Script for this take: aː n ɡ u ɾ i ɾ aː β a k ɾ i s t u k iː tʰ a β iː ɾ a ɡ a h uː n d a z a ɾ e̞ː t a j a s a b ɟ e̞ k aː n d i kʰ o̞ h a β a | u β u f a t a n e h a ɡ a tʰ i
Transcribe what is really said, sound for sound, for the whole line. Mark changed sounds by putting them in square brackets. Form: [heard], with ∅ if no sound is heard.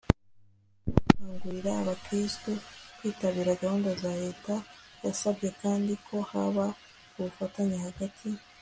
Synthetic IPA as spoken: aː [ŋ] ɡ u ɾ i ɾ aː β a k ɾ i s t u k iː [t] a β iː ɾ a ɡ a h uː n d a z a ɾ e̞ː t a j a s a b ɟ e̞ k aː n d i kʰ o̞ h a β a | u β u f a t a [ɲ] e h a ɡ a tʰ i